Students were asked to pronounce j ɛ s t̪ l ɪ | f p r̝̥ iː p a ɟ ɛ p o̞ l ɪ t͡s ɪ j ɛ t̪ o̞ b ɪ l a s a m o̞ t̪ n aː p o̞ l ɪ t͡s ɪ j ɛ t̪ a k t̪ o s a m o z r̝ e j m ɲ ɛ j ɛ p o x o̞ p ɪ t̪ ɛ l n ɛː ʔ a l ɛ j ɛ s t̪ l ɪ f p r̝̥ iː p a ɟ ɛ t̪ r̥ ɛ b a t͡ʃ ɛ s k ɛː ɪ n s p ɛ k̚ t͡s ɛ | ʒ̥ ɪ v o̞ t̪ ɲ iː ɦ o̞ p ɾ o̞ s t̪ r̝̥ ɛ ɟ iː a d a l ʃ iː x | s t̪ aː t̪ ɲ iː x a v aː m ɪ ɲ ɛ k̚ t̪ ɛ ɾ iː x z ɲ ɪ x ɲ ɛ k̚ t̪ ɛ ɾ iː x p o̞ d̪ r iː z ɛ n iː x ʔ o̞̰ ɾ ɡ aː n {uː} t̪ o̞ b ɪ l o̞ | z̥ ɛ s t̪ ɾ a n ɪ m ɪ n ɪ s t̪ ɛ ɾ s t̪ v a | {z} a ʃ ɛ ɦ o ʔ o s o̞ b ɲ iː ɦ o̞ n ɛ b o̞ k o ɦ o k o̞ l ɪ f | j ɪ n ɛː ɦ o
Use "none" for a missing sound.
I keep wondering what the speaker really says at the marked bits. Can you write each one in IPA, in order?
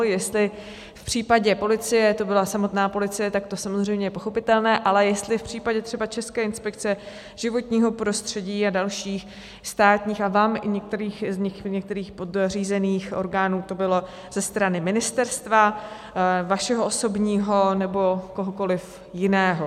uː, v

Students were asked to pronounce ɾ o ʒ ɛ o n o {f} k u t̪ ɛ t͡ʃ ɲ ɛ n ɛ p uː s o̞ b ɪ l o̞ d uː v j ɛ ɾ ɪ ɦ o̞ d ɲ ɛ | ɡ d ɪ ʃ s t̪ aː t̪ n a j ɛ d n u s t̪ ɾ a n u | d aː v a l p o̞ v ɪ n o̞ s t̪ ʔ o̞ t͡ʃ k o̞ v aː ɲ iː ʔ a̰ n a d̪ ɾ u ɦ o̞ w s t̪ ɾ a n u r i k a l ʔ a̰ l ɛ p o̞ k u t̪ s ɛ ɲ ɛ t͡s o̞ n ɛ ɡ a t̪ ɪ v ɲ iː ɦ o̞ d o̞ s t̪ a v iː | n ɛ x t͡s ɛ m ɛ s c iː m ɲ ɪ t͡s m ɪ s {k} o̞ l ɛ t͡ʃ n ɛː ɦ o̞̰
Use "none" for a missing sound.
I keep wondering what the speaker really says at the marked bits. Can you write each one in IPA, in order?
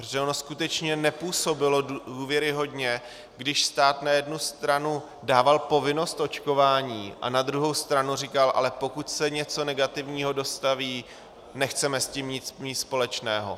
s, p

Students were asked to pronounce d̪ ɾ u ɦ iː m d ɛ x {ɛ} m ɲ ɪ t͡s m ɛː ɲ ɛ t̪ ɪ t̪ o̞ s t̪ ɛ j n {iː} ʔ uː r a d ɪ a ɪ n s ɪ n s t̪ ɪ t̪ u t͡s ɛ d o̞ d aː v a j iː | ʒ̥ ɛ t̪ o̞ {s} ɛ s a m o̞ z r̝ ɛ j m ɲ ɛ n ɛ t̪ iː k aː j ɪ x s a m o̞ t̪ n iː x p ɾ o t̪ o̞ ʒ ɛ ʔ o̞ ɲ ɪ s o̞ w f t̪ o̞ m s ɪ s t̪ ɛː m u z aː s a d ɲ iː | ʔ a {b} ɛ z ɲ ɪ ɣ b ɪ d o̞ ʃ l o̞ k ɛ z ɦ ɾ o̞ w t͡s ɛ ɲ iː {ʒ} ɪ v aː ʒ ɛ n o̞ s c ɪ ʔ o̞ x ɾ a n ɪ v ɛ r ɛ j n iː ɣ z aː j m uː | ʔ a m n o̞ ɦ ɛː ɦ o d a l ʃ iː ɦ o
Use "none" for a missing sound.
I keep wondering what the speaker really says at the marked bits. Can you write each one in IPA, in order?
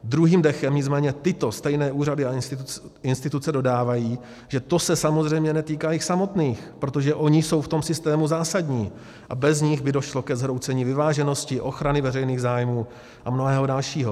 ɛ, ɛː, s, b, v

